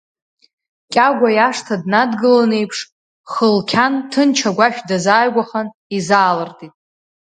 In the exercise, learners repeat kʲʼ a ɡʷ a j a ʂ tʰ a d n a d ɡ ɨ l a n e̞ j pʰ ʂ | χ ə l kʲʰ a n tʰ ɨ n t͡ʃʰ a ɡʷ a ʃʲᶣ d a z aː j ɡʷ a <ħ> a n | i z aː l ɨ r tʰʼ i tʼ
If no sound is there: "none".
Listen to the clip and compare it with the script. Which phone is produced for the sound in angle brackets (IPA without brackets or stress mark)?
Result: χ